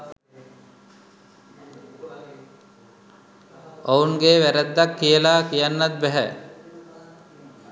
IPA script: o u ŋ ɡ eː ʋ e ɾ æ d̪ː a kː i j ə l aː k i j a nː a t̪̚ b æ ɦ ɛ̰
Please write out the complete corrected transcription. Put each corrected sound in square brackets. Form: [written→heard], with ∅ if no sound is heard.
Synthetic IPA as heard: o u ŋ ɡ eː ʋ [e→æ] ɾ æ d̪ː a kː i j ə l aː k i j a nː a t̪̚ b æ ɦ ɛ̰